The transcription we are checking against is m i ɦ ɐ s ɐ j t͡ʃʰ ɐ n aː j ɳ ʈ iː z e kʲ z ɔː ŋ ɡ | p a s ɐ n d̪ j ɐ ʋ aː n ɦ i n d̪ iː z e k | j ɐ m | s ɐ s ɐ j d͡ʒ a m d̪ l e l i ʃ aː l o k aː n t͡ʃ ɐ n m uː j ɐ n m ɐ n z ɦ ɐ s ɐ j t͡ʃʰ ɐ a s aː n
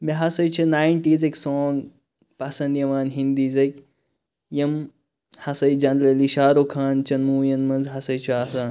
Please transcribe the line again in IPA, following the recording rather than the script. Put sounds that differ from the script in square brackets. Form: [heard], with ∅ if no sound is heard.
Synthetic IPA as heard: m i ɦ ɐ s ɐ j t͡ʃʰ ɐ n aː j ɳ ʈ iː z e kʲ [s] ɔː ŋ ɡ | p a s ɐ n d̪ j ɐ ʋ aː n ɦ i n d̪ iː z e k | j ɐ m | [h] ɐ s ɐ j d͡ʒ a [n] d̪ l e l i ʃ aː [ɾ] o [kʰ] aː n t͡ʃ ɐ n m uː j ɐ n m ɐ n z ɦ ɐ s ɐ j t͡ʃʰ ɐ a s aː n